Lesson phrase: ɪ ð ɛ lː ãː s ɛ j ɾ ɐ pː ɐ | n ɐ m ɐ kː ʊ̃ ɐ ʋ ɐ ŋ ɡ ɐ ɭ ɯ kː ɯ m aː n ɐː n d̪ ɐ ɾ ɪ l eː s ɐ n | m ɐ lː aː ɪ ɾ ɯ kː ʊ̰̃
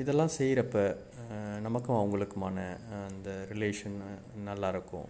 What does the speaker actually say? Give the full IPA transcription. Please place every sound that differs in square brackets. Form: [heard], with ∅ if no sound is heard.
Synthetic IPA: ɪ ð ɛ lː ãː s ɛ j ɾ ɐ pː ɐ | n ɐ m ɐ kː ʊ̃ ɐ ʋ ɐ ŋ ɡ ɐ ɭ ɯ kː ɯ m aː n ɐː n d̪ ɐ ɾ ɪ l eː [ʂ] ɐ n | [n] ɐ lː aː ɪ ɾ ɯ kː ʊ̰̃